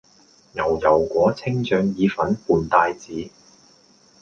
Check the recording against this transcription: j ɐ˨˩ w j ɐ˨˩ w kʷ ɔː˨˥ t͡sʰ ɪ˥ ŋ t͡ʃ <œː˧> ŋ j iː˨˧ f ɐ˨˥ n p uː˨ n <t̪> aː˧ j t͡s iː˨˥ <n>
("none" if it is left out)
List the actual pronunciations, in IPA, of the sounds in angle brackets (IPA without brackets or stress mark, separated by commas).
œː˧, t̪, none